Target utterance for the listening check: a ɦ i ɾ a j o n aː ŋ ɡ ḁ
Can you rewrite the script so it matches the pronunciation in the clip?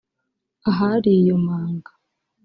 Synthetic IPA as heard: a ɦ a ɾ i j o m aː ŋ ɡ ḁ